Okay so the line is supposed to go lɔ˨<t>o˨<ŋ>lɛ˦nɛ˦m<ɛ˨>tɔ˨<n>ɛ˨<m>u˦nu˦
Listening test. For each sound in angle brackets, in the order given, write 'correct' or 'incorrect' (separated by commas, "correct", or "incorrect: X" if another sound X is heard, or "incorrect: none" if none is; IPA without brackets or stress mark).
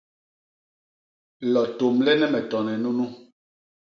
correct, incorrect: m, correct, correct, incorrect: n